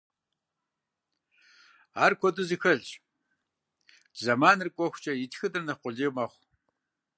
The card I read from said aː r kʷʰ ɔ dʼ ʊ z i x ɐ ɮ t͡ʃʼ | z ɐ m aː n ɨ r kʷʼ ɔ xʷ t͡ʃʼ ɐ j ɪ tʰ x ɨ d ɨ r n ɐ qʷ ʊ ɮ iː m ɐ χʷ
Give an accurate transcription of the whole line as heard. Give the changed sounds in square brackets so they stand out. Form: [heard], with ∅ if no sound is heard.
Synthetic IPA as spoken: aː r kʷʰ ɔ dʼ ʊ z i x ɐ ɮ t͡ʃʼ | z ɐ m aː n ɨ r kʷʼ ɔ xʷ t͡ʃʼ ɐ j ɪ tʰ x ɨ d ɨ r n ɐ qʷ ʊ ɮ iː m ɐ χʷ